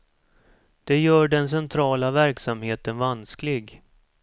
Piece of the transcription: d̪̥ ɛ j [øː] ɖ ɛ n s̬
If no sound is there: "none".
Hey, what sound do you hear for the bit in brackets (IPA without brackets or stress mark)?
œː